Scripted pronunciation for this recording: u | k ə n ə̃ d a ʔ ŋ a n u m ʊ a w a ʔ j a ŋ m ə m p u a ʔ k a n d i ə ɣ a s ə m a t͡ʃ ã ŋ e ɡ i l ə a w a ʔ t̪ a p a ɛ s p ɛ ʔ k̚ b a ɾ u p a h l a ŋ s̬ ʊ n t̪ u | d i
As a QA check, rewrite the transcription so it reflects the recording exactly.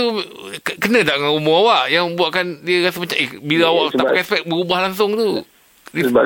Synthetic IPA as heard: u | k ə n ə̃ d a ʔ ŋ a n u m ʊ a w a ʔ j a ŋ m ə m b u a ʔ k a n d i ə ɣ a s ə m a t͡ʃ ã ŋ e b i l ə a w a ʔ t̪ a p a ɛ s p ɛ k̚ b ə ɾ u b a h l a ŋ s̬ ʊ ŋ t̪ u | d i